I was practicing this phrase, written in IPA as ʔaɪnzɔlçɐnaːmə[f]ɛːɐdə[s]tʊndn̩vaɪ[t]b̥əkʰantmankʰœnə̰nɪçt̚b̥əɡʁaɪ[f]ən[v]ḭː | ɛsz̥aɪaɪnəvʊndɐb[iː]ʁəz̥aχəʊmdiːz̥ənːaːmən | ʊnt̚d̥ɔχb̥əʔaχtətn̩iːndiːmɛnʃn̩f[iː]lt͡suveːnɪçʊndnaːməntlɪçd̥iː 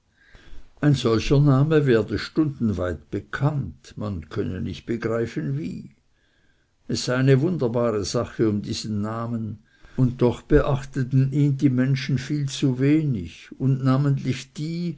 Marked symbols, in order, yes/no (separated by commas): no, no, yes, yes, yes, no, yes